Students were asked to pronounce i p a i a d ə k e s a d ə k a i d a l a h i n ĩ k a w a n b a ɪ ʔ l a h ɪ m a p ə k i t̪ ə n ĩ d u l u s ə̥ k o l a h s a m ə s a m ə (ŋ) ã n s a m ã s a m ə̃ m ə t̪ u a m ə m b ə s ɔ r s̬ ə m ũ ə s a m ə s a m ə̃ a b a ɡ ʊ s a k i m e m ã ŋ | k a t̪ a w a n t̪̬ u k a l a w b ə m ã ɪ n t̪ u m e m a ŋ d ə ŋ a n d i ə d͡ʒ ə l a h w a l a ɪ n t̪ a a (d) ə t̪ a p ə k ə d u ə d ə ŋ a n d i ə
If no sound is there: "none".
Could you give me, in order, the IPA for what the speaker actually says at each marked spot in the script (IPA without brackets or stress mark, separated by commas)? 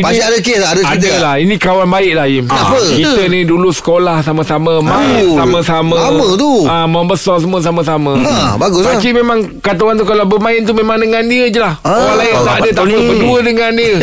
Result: m, d